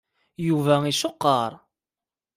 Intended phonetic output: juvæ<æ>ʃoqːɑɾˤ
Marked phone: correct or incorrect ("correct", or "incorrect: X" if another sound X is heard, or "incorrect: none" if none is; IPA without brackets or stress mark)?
incorrect: i